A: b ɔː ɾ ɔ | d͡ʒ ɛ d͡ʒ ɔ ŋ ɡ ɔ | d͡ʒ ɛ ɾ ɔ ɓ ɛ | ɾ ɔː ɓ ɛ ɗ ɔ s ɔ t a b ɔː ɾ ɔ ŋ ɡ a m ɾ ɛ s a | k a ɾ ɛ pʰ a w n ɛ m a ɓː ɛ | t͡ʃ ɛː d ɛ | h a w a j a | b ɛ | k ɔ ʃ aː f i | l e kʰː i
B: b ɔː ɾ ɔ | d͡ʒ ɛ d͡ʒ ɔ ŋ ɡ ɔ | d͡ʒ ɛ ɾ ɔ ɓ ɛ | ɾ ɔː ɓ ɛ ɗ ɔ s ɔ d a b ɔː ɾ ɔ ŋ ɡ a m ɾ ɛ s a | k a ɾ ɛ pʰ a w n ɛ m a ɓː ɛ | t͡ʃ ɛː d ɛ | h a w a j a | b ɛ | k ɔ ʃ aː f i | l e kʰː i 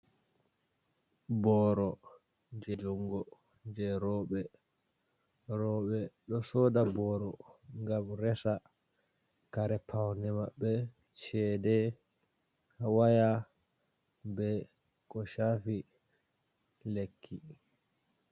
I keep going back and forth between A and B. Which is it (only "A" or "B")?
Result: B